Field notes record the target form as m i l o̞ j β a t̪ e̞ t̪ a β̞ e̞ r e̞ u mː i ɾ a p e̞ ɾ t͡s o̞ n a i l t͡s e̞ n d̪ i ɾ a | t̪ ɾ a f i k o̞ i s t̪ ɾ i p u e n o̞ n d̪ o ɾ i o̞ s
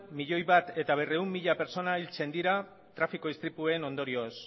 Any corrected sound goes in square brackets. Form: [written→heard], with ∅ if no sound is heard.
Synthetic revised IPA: m i [l→ʎ] o̞ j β a t̪ e̞ t̪ a β̞ e̞ r e̞ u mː i [ɾ→ʎ] a p e̞ ɾ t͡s o̞ n a i l t͡s e̞ n d̪ i ɾ a | t̪ ɾ a f i k o̞ i s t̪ ɾ i p u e n o̞ n d̪ o ɾ i o̞ s